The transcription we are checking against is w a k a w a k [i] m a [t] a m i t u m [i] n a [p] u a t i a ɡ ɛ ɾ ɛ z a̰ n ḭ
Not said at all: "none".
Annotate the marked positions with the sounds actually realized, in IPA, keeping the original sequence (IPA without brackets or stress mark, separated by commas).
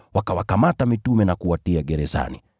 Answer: a, t, ɛ, k